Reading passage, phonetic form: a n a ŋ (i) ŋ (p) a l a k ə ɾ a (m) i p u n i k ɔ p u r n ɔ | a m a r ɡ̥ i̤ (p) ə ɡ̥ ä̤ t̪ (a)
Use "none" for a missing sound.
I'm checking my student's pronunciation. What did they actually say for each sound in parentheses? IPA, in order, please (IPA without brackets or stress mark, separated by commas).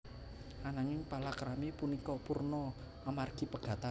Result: ɪ, p, m, p, a